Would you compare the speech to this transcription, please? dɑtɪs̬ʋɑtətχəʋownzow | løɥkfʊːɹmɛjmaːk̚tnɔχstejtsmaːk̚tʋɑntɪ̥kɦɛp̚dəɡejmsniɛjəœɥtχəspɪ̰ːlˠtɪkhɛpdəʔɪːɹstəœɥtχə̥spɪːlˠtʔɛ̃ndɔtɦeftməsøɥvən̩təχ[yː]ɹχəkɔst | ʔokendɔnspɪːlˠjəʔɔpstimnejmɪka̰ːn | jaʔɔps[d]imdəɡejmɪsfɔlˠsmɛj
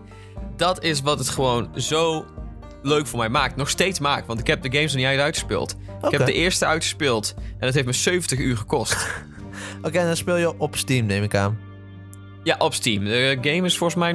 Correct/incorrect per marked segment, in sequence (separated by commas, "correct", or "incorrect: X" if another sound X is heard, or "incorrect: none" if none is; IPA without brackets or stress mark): correct, incorrect: t